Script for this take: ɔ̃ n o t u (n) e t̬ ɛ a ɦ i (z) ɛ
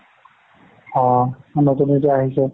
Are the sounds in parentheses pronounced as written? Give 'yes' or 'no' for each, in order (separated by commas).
yes, no